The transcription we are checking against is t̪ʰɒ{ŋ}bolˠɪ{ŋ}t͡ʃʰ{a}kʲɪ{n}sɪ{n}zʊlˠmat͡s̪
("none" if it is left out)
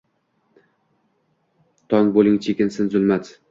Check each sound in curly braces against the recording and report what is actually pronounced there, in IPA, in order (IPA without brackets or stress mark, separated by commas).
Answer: ŋ, ŋ, e, n, n